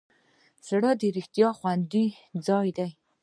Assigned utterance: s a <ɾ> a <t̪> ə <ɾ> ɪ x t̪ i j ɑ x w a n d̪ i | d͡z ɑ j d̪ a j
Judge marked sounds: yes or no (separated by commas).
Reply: no, no, yes